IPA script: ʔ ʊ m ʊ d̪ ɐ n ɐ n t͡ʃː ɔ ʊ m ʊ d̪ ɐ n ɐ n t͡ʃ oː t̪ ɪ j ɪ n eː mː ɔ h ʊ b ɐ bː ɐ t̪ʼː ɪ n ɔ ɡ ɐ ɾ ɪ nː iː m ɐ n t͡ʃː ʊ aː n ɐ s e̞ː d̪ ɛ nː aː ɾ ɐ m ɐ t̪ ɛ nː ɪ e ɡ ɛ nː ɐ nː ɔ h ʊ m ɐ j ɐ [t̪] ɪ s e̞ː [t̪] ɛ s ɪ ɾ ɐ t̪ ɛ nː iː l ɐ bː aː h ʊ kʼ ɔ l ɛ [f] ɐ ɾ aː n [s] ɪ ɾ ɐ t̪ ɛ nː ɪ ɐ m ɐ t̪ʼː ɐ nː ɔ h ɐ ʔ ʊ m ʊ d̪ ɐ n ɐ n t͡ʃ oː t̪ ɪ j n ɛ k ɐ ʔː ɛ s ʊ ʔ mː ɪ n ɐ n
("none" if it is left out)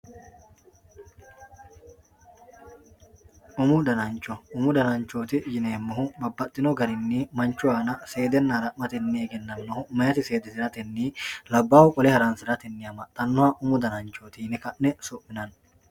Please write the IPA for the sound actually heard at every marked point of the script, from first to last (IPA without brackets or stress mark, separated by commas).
t̪, d̪, h, s